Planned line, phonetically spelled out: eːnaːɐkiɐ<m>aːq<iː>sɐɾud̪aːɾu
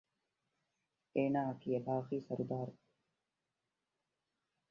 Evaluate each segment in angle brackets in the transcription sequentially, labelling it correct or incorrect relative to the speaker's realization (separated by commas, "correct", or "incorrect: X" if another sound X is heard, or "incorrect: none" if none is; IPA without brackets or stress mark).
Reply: incorrect: b, correct